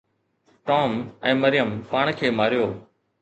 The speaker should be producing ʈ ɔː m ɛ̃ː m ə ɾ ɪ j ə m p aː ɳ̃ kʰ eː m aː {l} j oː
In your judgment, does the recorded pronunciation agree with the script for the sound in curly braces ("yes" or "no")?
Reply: no